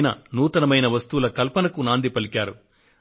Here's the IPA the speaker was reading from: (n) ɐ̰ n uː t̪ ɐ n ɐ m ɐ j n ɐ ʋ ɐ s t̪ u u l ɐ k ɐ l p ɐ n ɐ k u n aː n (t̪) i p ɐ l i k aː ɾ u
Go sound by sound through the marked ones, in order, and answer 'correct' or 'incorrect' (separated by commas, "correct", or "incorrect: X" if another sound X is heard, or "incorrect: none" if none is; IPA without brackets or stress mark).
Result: correct, incorrect: d̪